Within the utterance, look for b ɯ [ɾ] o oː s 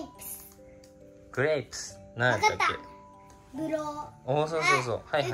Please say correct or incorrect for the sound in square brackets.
correct